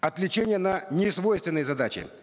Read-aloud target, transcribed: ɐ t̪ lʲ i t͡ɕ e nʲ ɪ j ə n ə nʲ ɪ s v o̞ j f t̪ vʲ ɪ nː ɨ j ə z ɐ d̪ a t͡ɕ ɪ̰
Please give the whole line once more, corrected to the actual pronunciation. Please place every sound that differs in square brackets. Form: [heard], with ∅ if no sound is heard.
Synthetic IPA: ɐ t̪ lʲ [ɪ] t͡ɕ e nʲ ɪ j ə n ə nʲ ɪ s v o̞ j [s] t̪ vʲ ɪ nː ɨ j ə z ɐ d̪ a t͡ɕ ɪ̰

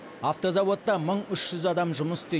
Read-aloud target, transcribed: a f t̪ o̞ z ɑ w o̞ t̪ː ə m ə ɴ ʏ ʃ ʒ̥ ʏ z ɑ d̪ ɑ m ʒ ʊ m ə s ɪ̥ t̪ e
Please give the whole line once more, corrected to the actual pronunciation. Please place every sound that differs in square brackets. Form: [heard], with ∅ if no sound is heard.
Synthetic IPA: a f t̪ o̞ z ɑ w o̞ t̪ː [ɑ] m ə ɴ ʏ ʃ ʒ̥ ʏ z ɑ d̪ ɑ m ʒ ʊ m ə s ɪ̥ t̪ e

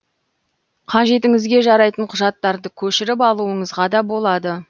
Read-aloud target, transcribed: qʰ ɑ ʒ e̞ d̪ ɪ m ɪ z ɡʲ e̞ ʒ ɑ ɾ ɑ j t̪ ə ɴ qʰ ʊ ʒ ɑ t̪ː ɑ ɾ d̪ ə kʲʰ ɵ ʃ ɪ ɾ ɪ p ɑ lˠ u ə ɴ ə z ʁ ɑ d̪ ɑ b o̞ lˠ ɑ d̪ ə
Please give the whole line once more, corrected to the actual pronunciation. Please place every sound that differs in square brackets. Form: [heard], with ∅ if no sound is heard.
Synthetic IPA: qʰ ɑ ʒ e̞ [t̪] ɪ [ŋ] ɪ z ɡʲ e̞ ʒ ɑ ɾ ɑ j t̪ ə ɴ qʰ ʊ ʒ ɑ t̪ː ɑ ɾ d̪ ə kʲʰ ɵ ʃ ɪ ɾ ɪ p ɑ lˠ u ə ɴ ə z ʁ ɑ d̪ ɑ b o̞ lˠ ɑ d̪ ə

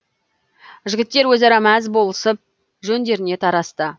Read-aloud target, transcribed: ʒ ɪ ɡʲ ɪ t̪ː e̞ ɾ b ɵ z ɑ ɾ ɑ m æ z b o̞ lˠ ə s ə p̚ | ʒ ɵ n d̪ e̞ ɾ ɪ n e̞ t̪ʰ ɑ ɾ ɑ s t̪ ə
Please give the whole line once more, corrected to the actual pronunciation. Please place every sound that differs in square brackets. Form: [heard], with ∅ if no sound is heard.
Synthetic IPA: ʒ ɪ ɡʲ ɪ t̪ː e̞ ɾ [w] ɵ z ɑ ɾ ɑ m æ z b o̞ lˠ ə s ə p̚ | ʒ ɵ n d̪ e̞ ɾ ɪ n e̞ t̪ʰ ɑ ɾ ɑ s t̪ ə

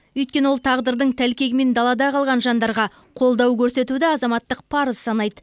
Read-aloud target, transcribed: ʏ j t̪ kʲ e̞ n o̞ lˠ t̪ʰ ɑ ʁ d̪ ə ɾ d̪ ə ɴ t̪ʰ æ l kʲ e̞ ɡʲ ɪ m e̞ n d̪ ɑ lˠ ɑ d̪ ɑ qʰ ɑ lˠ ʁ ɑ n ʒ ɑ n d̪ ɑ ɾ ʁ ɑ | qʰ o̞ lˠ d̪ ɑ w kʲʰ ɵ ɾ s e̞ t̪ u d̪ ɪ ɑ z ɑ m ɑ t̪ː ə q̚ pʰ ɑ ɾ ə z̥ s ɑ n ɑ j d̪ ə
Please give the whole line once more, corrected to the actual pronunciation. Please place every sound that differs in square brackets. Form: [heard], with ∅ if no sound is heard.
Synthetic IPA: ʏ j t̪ kʲ e̞ n o̞ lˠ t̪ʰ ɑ ʁ d̪ ə ɾ d̪ ə ɴ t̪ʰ æ l kʲ e̞ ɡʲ ɪ m e̞ n d̪ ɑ lˠ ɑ d̪ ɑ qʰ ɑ lˠ ʁ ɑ n ʒ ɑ n d̪ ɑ ɾ ʁ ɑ | qʰ o̞ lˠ d̪ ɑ w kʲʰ ɵ ɾ s e̞ t̪ u d̪ ɪ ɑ z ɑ m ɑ t̪ː ə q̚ pʰ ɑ ɾ ə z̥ s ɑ n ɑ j d̪ ə

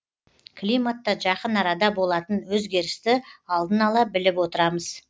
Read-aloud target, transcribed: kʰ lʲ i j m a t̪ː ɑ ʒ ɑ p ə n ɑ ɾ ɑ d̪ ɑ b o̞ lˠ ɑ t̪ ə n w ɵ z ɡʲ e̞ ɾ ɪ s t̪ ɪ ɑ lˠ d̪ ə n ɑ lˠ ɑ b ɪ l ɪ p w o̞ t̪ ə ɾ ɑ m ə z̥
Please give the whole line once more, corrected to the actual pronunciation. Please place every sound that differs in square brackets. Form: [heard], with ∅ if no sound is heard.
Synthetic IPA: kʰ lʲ i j m a t̪ː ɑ ʒ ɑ [q] ə n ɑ ɾ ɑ d̪ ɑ b o̞ lˠ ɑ t̪ ə n w ɵ z ɡʲ e̞ ɾ ɪ s t̪ ɪ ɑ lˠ d̪ ə n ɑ lˠ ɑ b ɪ l ɪ p w o̞ t̪ ə ɾ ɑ m ə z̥

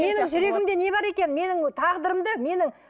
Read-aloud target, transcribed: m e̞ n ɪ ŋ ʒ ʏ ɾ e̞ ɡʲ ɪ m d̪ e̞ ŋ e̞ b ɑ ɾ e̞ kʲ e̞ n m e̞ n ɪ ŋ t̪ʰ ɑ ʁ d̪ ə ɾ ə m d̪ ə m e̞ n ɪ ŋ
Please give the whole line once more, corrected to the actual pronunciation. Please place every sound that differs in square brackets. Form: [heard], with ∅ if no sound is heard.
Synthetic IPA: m e̞ n ɪ ŋ ʒ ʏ ɾ e̞ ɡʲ ɪ m d̪ e̞ [n] e̞ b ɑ ɾ e̞ kʲ e̞ n m e̞ n ɪ ŋ t̪ʰ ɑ ʁ d̪ ə ɾ ə m d̪ ə m e̞ n ɪ ŋ

